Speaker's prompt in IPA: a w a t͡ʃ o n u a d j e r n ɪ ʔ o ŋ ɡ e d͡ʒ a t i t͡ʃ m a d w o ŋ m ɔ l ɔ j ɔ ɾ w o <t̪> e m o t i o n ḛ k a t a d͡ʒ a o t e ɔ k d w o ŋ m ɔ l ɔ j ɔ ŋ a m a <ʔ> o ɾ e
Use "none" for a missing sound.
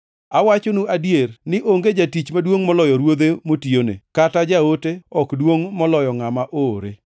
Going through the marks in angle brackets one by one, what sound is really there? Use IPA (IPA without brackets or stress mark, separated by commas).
d̪, ʔ